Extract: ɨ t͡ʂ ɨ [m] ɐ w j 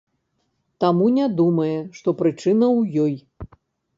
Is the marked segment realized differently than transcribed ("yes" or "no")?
yes